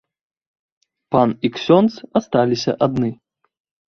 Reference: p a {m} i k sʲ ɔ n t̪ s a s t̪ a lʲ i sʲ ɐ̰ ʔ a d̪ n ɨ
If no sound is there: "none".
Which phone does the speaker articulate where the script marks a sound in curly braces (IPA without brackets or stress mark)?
n